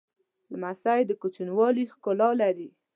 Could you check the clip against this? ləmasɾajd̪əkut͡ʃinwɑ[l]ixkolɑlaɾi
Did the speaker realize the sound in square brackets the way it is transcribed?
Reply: yes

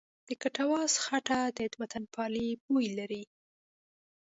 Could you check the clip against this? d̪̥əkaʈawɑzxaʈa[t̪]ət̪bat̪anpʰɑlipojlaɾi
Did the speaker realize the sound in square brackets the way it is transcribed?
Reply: no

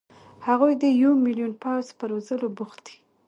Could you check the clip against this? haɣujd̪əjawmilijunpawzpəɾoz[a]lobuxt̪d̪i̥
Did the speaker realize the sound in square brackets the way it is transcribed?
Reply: no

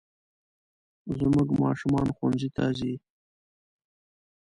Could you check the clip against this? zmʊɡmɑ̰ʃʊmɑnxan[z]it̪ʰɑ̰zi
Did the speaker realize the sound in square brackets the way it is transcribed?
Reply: yes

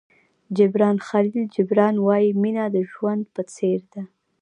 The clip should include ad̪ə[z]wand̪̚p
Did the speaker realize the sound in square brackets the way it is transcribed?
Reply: no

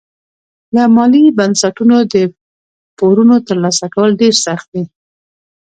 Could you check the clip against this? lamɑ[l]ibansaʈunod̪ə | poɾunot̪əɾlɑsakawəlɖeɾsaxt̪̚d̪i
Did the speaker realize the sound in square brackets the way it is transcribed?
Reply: yes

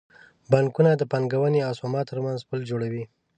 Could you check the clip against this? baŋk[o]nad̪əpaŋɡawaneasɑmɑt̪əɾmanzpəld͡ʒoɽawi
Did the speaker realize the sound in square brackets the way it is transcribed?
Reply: no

